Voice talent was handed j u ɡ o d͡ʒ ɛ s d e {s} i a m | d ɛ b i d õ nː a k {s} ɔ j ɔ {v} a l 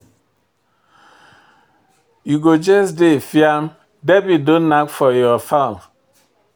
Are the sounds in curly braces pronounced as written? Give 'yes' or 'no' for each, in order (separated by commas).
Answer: no, no, no